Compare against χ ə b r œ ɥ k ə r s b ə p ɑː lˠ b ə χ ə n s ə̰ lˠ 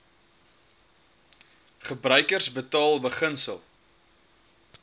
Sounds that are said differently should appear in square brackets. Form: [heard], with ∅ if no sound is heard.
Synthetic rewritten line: χ ə b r œ ɥ k ə r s b ə [t] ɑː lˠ b ə χ ə n s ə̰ lˠ